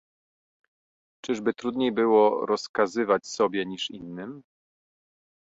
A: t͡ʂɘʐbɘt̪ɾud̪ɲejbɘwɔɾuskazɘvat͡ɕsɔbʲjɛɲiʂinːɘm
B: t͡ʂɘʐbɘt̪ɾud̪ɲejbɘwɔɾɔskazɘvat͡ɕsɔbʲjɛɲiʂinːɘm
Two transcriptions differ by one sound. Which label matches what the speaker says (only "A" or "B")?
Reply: B